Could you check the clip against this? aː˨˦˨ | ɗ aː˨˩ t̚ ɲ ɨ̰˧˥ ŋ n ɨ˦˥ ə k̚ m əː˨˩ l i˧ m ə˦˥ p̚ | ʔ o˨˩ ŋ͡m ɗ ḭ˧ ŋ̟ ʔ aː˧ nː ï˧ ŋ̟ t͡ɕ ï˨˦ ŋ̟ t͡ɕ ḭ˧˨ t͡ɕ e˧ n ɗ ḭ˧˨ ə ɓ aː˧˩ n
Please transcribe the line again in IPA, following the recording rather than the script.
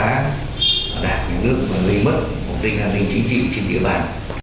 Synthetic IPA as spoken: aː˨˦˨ | ɗ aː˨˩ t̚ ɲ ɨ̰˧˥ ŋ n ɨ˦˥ ə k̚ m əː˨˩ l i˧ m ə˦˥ t̚ | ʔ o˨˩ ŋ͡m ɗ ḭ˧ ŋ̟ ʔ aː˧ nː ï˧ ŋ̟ t͡ɕ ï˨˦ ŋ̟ t͡ɕ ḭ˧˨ t͡ɕ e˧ n ɗ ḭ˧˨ ə ɓ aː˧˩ n

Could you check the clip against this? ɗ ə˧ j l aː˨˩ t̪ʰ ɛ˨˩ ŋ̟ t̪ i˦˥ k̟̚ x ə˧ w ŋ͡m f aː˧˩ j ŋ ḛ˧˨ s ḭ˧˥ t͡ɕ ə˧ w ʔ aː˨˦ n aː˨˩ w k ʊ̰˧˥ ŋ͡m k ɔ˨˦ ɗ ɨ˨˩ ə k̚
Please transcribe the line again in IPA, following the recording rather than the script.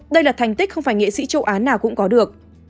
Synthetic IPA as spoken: ɗ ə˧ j l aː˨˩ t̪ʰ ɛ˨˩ ŋ̟ t̪ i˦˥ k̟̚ x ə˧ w ŋ͡m f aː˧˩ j ŋ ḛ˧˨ s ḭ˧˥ t͡ɕ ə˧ w ʔ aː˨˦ n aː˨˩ w k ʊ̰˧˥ ŋ͡m k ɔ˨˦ ɗ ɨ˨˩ ə k̚

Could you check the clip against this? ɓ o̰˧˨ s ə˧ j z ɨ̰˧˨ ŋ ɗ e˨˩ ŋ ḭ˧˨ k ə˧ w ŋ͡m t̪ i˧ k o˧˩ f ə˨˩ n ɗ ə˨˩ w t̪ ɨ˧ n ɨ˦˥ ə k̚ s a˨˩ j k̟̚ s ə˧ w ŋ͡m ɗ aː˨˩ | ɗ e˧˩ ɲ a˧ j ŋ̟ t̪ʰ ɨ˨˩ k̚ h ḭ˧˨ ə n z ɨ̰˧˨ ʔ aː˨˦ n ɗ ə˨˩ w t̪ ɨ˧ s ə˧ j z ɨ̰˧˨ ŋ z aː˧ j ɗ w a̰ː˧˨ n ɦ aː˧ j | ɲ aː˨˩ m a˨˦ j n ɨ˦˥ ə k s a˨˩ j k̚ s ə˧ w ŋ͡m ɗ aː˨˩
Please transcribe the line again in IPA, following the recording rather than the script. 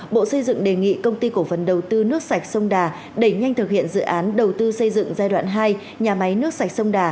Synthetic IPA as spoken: ɓ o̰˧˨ s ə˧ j z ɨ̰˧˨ ŋ ɗ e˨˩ ŋ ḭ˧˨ k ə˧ w ŋ͡m t̪ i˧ k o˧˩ f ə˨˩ n ɗ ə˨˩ w t̪ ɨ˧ n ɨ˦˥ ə k̚ s a˨˩ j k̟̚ s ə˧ w ŋ͡m ɗ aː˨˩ | ɗ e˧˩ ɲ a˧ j ŋ̟ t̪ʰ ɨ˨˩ k̚ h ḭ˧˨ ə n z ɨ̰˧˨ ʔ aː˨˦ n ɗ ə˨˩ w t̪ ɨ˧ s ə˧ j z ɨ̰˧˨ ŋ z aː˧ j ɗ w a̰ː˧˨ n ɦ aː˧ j | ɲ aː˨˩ m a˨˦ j n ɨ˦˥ ə k s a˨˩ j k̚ s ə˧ w ŋ͡m ɗ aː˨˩

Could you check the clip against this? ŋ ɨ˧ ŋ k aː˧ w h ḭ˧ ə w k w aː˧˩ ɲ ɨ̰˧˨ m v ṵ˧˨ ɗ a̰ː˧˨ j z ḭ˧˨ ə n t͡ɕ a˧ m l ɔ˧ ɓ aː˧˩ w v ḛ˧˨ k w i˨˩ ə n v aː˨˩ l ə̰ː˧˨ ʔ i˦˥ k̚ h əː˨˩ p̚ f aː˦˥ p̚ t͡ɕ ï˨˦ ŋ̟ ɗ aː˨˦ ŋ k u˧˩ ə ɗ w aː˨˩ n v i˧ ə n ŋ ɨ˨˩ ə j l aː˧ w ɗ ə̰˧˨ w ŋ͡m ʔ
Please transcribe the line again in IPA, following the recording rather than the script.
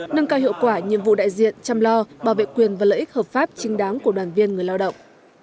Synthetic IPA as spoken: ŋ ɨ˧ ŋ k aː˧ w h ḭ˧ ə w k w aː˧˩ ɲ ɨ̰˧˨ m v ṵ˧˨ ɗ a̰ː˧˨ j z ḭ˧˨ ə n t͡ɕ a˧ m l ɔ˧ ɓ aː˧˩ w v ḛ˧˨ k w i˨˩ ə n v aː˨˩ l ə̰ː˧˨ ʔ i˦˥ k̚ h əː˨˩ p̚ f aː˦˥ p̚ t͡ɕ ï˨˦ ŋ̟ ɗ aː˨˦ ŋ k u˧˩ ə ɗ w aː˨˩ n v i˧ ə n ŋ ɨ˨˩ ə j l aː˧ w ɗ ə̰˧˨ w ŋ͡m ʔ

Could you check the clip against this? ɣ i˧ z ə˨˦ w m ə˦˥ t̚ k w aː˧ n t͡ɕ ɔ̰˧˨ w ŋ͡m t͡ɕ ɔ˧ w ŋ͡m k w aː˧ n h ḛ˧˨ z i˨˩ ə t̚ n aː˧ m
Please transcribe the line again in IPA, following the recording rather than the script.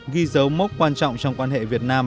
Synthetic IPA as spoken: ɣ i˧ z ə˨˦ w m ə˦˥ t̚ k w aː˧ n t͡ɕ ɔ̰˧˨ w ŋ͡m t͡ɕ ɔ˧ w ŋ͡m k w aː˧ n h ḛ˧˨ v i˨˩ ə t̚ n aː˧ m

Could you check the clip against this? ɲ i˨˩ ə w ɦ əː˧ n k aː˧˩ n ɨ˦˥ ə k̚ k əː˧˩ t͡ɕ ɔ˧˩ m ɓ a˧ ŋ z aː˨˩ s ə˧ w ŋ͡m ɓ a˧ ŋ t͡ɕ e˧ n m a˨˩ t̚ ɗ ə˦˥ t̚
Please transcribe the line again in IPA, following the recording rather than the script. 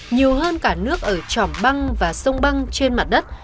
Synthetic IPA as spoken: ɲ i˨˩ ə w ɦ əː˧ n k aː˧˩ n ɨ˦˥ ə k̚ ʔ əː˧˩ t͡ɕ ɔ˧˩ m ɓ a˧ ŋ v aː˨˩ s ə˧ w ŋ͡m ɓ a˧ ŋ t͡ɕ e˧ n m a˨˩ t̚ ɗ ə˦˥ t̚

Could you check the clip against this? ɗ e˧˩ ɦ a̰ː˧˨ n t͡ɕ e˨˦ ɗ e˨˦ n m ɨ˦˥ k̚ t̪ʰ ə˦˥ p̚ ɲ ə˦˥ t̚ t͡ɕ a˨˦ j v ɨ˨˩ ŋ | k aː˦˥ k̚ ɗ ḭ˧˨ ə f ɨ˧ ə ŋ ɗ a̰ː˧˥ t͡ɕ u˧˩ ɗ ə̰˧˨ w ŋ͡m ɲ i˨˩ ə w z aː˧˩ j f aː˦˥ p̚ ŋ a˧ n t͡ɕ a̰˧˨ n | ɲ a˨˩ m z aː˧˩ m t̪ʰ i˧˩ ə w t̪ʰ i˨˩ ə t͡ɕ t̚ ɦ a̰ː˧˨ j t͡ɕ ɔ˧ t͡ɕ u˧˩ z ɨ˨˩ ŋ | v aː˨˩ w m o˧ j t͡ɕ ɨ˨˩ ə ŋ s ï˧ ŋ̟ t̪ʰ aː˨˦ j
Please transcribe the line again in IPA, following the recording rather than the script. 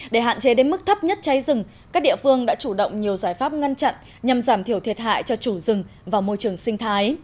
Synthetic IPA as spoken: ɗ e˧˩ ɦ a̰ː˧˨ n t͡ɕ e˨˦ ɗ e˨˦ n m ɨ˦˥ k̚ t̪ʰ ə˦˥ p̚ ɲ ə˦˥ t̚ t͡ɕ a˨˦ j z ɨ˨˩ ŋ | k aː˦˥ k̚ ɗ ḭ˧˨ ə f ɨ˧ ə ŋ ɗ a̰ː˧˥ t͡ɕ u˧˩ ɗ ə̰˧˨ w ŋ͡m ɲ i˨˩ ə w z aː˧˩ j f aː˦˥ p̚ ŋ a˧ n t͡ɕ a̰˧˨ n | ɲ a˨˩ m z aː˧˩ m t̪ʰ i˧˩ ə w t̪ʰ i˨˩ ə t̚ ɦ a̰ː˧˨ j t͡ɕ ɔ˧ t͡ɕ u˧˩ z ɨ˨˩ ŋ | v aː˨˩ w m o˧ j t͡ɕ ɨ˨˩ ə ŋ s ï˧ ŋ̟ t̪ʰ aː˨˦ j

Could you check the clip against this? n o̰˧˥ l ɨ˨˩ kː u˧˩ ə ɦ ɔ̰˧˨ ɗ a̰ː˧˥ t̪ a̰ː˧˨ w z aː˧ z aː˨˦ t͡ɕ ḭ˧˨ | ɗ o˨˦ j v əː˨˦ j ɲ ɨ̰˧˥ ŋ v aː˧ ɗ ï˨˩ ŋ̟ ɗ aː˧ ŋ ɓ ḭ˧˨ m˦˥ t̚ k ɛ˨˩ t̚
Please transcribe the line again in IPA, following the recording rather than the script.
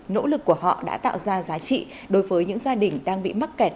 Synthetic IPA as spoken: n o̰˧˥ l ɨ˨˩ kː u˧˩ ə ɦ ɔ̰˧˨ ɗ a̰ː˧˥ t̪ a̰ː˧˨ w z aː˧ z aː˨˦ t͡ɕ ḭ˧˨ | ɗ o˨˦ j v əː˨˦ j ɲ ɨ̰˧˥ ŋ z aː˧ ɗ ï˨˩ ŋ̟ ɗ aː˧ ŋ ɓ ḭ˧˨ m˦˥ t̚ k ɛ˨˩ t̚

